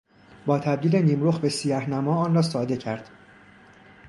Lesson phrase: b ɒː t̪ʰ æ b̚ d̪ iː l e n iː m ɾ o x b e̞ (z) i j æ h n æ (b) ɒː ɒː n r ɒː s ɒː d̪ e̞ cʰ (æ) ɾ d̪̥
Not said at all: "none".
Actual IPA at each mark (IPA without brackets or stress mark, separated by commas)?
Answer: s, m, æ